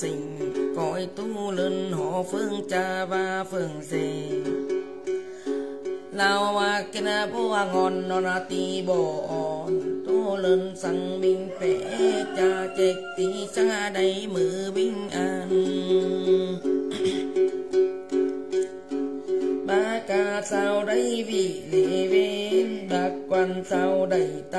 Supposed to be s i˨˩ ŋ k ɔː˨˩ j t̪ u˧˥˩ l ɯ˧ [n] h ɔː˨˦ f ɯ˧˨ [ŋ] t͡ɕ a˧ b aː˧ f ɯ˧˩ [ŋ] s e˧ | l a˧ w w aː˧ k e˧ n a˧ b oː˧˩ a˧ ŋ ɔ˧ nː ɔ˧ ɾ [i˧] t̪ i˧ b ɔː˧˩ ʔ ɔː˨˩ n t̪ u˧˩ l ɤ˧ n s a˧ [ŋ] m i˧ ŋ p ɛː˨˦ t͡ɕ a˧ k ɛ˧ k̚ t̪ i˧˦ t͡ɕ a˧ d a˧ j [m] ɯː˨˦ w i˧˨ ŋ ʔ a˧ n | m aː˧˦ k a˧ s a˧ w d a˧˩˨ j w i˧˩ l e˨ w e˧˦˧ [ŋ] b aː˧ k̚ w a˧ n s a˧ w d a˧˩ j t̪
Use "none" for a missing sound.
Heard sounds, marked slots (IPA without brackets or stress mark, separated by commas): n, ŋ, ŋ, a˧, ŋ, m, n